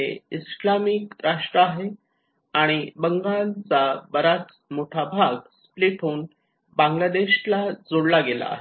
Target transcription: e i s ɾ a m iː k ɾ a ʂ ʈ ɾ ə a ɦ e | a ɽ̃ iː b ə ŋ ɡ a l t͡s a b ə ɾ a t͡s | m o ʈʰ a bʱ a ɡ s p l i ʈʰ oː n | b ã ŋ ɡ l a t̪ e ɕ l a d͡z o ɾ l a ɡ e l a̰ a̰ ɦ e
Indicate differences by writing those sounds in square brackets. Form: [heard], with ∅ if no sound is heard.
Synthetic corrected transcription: e i s [l] a m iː k ɾ a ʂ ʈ ɾ ə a ɦ e | a ɽ̃ [i] b ə ŋ ɡ a l t͡s a b ə ɾ a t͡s | m o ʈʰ a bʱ a ɡ s p l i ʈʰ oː n | b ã ŋ ɡ l a [d̪] e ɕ l a d͡z o [ɽ] l a ɡ e l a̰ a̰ ɦ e